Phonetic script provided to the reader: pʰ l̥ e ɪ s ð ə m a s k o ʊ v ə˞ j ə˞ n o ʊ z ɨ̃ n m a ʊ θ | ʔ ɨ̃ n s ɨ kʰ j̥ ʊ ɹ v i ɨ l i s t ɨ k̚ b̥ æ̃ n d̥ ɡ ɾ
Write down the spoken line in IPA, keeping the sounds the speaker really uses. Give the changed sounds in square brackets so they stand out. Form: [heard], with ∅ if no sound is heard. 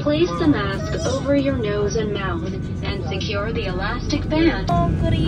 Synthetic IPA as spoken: pʰ l̥ e ɪ s ð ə m [æ] s k o ʊ v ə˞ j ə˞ n o ʊ z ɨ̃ n m a ʊ θ | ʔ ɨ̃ n s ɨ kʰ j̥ ʊ ɹ [ð] i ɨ l [æ] s t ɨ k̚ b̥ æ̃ n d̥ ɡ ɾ